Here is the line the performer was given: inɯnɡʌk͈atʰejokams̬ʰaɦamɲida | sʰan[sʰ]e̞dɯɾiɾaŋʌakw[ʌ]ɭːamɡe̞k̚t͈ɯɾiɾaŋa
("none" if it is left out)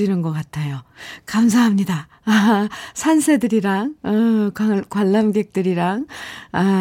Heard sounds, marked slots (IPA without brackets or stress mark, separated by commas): sʰ, a